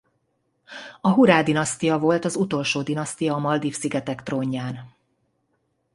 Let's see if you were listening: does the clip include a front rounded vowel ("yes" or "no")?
no